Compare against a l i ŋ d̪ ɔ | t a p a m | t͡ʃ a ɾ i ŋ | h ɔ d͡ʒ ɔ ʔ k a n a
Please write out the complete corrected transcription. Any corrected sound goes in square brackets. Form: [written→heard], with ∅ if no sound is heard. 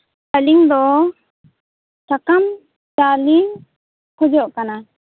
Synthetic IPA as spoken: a l i ŋ d̪ ɔ | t a [p→k] a m | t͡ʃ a [ɾ→l] i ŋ | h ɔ d͡ʒ ɔ ʔ k a n a